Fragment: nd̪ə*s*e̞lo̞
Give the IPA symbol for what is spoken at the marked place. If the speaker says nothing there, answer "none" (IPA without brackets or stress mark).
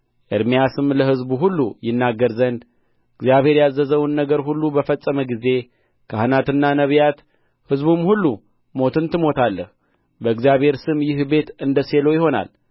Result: s